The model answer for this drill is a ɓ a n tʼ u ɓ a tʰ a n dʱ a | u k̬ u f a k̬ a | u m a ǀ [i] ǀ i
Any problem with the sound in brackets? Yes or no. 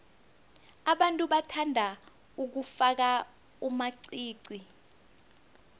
yes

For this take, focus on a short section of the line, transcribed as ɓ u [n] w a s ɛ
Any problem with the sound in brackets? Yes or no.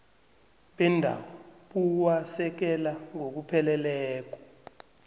yes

